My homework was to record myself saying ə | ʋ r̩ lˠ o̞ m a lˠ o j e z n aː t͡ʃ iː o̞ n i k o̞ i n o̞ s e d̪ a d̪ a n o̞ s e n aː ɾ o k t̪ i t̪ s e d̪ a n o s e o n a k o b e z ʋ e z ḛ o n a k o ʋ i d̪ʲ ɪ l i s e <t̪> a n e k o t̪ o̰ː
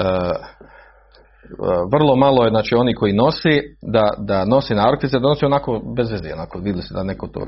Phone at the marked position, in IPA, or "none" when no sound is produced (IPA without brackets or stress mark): d̪